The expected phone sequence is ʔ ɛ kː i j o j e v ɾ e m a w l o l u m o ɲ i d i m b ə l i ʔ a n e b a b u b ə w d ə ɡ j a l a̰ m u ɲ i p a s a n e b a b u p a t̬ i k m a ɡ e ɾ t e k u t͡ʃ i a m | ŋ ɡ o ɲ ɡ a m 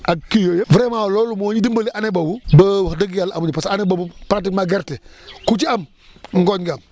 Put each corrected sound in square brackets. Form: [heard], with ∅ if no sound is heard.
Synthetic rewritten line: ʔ [a] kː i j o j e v ɾ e m a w l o l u m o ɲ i d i m b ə l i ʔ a n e b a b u b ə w d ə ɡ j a l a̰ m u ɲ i p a s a n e b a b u p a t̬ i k m a ɡ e ɾ t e k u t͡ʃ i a m | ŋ ɡ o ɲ ɡ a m